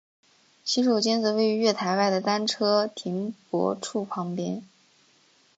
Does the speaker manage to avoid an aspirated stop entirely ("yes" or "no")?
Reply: no